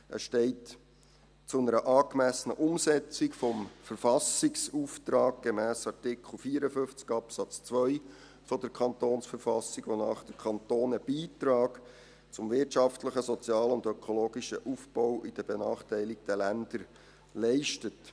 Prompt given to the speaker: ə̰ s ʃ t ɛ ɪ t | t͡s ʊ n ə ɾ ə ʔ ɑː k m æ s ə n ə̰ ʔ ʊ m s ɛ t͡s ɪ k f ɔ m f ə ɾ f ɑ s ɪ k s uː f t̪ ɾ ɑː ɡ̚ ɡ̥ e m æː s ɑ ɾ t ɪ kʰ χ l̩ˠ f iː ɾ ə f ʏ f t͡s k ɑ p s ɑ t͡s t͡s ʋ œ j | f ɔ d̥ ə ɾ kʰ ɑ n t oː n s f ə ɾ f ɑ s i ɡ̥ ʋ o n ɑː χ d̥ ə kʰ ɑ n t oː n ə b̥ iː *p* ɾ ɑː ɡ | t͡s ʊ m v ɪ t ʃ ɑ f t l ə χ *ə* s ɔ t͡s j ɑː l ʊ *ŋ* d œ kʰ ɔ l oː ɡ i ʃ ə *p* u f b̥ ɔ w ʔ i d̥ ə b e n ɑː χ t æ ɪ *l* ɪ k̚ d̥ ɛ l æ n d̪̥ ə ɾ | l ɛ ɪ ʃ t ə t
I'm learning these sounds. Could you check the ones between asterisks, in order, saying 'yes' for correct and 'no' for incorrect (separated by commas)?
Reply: no, yes, no, no, yes